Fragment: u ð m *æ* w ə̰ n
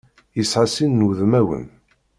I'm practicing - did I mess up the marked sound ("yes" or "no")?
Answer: no